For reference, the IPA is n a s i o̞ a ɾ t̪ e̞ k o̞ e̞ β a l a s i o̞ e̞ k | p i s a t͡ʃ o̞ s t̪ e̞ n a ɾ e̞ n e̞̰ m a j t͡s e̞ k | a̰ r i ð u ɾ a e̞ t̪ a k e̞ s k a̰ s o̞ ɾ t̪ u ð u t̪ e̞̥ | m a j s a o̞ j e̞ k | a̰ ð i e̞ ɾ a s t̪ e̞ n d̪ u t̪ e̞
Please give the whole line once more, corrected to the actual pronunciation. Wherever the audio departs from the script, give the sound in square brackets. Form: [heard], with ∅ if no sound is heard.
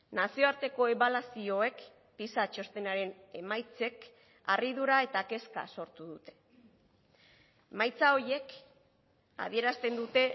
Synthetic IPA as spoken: n a s i o̞ a ɾ t̪ e̞ k o̞ e̞ β a l a s i o̞ e̞ k | p i s a t͡ʃ o̞ s t̪ e̞ n a ɾ e̞ n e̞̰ m a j t͡s e̞ k | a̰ r i ð u ɾ a e̞ t̪ a k e̞ s k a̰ s o̞ ɾ t̪ u ð u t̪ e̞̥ | m a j [t͡s] a o̞ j e̞ k | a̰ ð i e̞ ɾ a s t̪ e̞ n d̪ u t̪ e̞